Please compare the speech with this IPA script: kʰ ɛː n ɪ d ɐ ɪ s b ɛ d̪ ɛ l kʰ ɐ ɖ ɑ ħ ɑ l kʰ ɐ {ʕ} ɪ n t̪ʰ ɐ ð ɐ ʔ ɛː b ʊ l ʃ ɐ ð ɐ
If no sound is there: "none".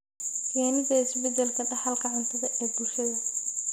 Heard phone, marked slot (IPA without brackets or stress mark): ʕ